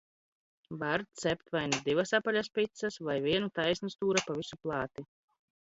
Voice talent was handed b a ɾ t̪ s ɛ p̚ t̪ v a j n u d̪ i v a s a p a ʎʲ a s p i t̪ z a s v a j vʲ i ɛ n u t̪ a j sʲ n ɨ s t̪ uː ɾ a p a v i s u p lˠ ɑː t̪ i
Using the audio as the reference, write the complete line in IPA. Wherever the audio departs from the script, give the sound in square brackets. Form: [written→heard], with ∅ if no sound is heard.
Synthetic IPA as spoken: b a ɾ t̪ s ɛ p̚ t̪ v a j n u d̪ i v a s a p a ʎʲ a s p i t̪ [z→s] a s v a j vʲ i ɛ n u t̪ a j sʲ n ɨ s t̪ uː ɾ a p a v i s u p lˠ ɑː t̪ i